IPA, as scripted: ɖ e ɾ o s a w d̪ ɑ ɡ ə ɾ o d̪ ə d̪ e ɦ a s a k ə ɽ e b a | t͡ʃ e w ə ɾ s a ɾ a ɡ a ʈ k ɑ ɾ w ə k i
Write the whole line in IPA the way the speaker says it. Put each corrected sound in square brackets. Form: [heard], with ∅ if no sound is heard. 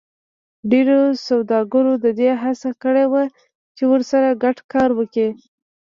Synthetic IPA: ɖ e ɾ o s a w d̪ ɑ ɡ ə ɾ o d̪ ə d̪ e ɦ a s a k ə ɽ e [w] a | t͡ʃ e w ə ɾ s a ɾ a ɡ a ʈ k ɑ ɾ w ə k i

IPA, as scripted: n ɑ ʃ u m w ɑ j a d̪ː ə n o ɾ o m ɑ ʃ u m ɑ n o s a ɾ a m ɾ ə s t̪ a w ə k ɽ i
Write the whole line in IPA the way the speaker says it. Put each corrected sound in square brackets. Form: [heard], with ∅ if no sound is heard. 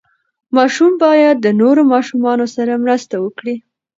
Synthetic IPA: [m] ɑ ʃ u m [b] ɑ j a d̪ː ə n o ɾ o m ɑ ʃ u m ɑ n o s a ɾ a m ɾ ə s t̪ a w ə k ɽ i

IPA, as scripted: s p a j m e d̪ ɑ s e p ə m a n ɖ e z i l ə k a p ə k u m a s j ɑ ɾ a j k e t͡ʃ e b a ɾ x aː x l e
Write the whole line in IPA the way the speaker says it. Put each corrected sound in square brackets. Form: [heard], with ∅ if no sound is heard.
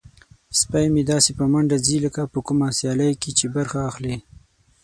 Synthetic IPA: s p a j m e d̪ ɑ s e p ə m a [ɳ] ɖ [a] z i l ə k a p ə k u m a s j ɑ [l] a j k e t͡ʃ e b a ɾ x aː x l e

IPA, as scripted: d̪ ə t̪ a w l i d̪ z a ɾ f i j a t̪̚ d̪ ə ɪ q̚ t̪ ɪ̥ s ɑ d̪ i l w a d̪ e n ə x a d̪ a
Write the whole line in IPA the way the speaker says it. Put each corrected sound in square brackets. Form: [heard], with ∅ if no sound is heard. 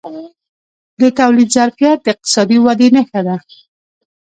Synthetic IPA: d̪ ə t̪ a w l i d̪ z a ɾ f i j a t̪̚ d̪ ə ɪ q̚ t̪ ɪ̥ s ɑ d̪ i [∅] w a d̪ e n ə x a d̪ a

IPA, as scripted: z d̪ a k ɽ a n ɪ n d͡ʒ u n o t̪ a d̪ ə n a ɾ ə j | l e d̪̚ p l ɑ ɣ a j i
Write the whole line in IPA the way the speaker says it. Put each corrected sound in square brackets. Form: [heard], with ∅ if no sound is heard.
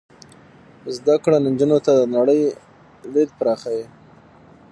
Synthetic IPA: z d̪ a k ɽ a n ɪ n d͡ʒ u n o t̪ a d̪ ə n a [ɽ] ə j | l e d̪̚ p [ɾ] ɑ [x] a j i

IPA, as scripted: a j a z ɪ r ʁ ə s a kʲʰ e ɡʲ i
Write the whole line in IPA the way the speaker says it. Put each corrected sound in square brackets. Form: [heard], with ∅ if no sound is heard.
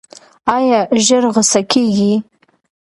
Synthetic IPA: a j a [ʒ] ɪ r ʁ ə s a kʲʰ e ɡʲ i

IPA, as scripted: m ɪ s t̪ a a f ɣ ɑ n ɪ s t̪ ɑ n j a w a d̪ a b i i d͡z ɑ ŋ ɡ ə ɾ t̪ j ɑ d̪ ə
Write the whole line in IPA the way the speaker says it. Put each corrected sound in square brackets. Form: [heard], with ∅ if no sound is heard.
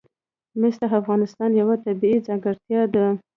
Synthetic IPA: m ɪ s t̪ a a f ɣ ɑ n ɪ s t̪ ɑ n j a w a [t̪] a b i i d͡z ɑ ŋ ɡ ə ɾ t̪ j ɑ d̪ ə

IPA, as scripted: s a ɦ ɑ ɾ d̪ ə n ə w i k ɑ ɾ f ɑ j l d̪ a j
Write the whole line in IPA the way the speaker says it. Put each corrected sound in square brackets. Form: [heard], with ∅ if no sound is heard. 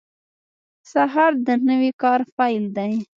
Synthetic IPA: s a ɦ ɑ ɾ d̪ ə n ə w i k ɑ ɾ f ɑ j l d̪ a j

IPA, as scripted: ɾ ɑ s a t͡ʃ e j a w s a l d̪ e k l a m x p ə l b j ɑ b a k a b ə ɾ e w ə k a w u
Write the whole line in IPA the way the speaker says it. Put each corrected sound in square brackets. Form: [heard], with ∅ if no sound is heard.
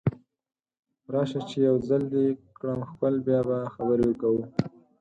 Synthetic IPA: ɾ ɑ [ʃ] a t͡ʃ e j a w [z] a l d̪ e k [ɽ] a m x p ə l b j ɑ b a [x] a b ə ɾ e w ə k a w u

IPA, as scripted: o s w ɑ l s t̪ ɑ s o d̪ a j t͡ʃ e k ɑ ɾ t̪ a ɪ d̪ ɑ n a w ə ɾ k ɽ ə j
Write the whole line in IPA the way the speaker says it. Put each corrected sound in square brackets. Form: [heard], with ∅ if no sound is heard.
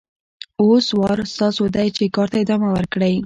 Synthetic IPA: o s w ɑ [ɾ] s t̪ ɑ s o d̪ a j t͡ʃ e k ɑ ɾ t̪ a ɪ d̪ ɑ [m] a w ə ɾ k ɽ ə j

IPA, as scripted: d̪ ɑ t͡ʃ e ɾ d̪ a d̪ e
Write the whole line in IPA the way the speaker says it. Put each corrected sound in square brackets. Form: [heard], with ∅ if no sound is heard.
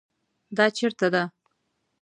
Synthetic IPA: d̪ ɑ t͡ʃ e ɾ [t̪] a d̪ [a]

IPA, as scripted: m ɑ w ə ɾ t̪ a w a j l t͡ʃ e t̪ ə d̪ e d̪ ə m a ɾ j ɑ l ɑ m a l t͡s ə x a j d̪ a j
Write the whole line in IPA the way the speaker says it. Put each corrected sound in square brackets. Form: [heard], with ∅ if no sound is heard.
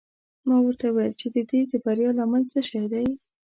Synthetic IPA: m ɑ w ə ɾ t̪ a w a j l t͡ʃ e [d̪] ə d̪ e d̪ ə [b] a ɾ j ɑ l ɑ m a l t͡s ə [ʃ] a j d̪ a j

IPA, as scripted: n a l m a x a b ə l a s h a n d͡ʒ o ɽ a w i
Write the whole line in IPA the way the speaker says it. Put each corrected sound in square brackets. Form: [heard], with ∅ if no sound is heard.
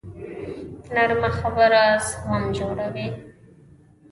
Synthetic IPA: n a [ɾ] m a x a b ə [ɾ] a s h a [m] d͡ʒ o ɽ a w i

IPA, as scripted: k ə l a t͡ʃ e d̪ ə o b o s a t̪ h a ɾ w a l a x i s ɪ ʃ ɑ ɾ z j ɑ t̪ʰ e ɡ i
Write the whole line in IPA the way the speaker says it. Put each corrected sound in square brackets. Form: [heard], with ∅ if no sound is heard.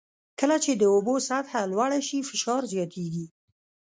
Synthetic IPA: k ə l a t͡ʃ e d̪ ə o b o s a t̪ h a [l] w a [ɽ] a [ʃ] i [f] ɪ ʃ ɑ ɾ z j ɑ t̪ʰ e ɡ i

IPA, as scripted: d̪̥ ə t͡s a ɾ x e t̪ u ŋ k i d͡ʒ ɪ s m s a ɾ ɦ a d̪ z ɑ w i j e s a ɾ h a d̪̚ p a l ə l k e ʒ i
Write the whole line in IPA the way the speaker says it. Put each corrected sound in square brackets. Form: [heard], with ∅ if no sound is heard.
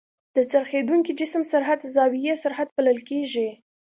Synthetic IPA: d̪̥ ə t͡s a ɾ x e [d̪] u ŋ k i d͡ʒ ɪ s m s a ɾ ɦ a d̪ z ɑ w i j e s a ɾ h a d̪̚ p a l ə l k e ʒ i

